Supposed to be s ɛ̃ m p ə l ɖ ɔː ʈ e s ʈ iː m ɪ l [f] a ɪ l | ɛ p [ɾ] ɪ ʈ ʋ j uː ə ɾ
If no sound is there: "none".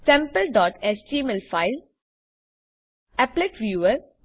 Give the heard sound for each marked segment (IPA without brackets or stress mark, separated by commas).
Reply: f, l